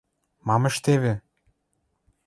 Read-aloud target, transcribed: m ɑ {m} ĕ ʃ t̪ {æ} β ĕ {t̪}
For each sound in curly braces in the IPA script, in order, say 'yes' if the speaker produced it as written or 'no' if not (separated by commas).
yes, no, no